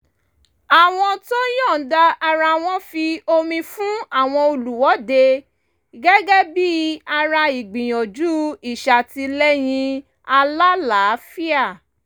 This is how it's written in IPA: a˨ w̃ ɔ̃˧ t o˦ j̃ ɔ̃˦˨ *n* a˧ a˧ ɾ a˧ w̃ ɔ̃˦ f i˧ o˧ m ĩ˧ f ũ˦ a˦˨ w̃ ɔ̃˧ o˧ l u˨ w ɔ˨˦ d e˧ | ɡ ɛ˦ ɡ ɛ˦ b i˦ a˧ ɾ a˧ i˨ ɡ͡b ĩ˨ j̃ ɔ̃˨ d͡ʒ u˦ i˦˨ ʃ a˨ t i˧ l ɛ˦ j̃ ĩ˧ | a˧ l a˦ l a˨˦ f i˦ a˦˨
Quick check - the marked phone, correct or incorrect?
incorrect: d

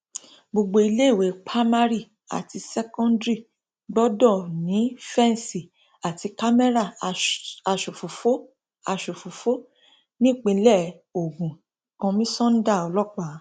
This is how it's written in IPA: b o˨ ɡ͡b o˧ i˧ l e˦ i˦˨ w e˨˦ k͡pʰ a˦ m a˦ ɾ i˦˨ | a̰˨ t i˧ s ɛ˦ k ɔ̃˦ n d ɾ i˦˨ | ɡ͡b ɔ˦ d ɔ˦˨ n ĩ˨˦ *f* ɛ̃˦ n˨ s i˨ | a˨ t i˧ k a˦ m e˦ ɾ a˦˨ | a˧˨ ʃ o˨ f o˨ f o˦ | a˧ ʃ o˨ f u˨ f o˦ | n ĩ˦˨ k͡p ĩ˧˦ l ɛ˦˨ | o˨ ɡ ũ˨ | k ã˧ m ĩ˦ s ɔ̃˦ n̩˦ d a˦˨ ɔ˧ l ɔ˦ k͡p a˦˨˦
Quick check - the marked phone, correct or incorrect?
correct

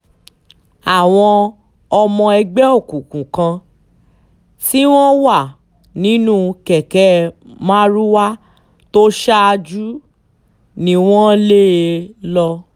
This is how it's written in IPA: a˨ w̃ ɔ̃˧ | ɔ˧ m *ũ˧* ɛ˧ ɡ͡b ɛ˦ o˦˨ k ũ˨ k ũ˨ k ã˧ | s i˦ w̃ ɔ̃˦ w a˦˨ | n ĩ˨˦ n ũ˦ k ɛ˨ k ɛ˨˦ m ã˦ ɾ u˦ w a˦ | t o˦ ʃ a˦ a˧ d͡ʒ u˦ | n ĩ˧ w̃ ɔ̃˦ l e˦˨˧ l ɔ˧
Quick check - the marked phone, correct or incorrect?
incorrect: ɔ̃˧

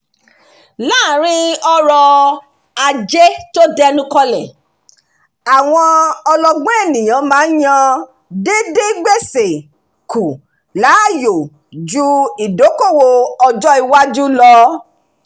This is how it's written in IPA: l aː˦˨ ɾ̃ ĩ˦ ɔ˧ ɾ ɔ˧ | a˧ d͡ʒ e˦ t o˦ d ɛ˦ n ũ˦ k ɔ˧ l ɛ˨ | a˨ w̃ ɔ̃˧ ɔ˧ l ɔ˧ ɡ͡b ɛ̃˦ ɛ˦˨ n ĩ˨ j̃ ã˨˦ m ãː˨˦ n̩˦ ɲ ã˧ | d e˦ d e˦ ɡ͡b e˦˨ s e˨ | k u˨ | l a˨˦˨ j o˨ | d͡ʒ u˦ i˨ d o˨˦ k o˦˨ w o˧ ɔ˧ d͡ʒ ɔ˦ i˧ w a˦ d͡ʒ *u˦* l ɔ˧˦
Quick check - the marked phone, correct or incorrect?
correct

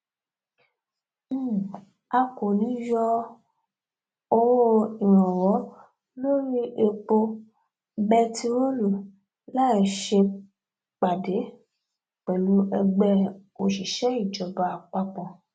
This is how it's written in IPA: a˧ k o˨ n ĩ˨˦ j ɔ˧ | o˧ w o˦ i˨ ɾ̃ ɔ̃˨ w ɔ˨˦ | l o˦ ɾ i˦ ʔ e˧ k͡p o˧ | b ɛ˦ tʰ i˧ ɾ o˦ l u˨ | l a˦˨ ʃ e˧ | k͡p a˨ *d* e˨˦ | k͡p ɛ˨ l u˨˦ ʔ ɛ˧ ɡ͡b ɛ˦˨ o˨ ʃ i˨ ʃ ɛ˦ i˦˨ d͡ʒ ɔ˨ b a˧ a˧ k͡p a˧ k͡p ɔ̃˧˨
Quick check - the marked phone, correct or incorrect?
correct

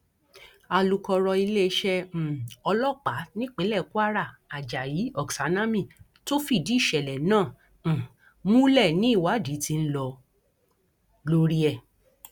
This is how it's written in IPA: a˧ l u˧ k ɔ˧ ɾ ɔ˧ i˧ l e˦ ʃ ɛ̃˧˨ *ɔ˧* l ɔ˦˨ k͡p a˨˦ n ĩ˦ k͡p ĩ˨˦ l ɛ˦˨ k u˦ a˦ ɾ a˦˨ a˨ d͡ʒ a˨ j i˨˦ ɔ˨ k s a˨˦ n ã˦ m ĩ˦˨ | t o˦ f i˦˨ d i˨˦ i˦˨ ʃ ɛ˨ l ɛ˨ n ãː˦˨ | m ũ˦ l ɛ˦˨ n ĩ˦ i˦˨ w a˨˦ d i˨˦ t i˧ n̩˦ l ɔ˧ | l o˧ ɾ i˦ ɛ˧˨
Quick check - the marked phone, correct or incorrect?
correct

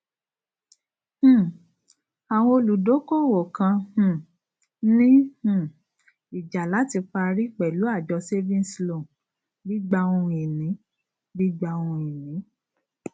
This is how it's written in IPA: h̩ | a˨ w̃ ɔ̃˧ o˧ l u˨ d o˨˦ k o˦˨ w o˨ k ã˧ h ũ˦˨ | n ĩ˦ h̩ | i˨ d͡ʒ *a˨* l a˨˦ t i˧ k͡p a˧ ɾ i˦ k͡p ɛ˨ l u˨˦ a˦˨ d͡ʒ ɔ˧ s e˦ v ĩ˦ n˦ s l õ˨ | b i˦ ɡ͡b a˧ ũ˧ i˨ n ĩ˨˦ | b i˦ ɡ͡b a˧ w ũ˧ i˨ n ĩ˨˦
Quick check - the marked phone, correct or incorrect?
correct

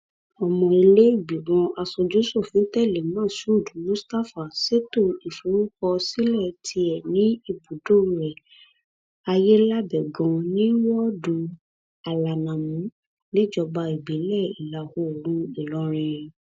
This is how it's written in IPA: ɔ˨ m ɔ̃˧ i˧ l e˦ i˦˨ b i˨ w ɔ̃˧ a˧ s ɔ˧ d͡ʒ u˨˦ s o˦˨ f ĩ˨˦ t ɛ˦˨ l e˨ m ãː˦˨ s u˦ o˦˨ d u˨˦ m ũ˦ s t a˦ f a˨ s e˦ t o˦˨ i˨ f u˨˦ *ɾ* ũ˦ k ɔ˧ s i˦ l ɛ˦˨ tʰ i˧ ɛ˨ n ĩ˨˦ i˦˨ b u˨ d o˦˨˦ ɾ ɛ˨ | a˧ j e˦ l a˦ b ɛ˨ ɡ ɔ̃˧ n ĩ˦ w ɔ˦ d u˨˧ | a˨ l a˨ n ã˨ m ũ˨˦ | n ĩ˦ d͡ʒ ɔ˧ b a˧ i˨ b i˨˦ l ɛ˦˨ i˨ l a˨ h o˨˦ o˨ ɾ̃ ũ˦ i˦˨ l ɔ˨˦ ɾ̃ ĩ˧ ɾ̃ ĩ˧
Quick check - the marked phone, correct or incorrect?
correct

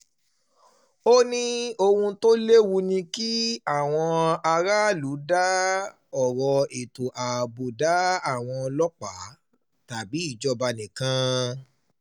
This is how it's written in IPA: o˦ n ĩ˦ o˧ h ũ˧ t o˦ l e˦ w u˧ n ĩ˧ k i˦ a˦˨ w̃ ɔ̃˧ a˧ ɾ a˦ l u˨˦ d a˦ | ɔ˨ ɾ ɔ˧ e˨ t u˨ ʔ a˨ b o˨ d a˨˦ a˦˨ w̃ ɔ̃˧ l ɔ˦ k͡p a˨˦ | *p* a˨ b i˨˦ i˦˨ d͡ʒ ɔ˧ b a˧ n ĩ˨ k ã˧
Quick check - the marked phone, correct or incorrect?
incorrect: t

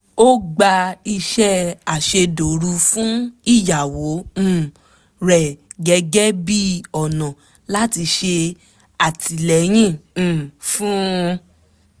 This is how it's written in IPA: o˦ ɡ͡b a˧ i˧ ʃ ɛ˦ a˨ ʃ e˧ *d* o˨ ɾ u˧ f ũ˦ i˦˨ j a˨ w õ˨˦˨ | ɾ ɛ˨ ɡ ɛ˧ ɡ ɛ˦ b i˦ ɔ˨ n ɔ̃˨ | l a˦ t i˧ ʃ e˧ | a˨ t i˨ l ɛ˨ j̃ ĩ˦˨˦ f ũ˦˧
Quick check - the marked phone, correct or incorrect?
correct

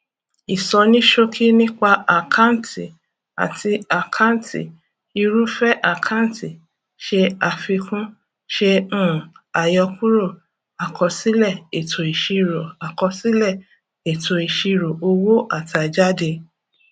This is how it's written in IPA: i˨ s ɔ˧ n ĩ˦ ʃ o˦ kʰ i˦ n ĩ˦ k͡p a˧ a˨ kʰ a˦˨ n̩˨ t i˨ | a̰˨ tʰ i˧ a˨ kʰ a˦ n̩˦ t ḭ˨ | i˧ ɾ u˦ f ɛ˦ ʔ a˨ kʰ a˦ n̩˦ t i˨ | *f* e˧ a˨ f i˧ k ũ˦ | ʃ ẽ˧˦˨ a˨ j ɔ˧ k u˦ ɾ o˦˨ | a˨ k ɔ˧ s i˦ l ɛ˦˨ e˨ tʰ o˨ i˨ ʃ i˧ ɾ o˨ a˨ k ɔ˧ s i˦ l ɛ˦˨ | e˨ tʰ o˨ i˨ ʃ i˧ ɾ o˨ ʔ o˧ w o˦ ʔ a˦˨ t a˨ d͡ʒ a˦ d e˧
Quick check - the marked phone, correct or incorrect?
incorrect: ʃ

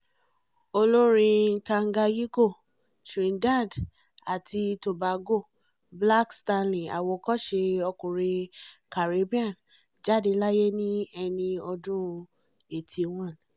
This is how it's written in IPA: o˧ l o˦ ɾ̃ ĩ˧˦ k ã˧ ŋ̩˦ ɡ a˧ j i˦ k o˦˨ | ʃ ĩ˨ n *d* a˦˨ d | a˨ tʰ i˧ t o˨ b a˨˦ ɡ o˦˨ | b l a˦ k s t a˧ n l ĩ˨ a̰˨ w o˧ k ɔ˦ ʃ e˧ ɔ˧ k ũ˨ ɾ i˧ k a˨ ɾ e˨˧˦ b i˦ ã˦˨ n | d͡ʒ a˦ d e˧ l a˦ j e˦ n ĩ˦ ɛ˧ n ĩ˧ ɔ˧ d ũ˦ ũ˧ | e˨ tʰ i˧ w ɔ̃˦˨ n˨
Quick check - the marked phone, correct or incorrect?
correct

